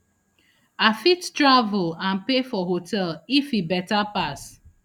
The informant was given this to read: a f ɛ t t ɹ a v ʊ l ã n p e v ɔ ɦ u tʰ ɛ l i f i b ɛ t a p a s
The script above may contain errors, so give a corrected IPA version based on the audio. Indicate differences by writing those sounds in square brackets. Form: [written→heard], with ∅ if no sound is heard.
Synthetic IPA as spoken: a f [ɛ→i] t t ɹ a v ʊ l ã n p e [v→f] ɔ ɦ [u→o] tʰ ɛ l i f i b ɛ t a p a s